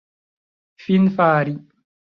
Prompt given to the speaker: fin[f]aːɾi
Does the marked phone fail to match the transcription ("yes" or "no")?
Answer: no